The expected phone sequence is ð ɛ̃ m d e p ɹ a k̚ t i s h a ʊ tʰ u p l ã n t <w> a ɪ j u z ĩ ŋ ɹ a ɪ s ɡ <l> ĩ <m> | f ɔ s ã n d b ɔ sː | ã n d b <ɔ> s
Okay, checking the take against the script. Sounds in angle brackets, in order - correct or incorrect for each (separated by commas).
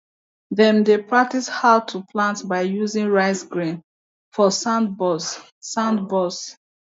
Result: incorrect, incorrect, incorrect, correct